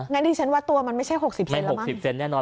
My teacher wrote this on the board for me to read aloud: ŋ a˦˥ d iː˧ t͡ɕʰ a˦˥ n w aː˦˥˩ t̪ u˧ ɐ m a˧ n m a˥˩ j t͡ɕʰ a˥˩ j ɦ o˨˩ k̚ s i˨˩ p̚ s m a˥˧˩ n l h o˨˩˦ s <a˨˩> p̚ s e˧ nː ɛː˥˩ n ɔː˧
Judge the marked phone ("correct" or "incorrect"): incorrect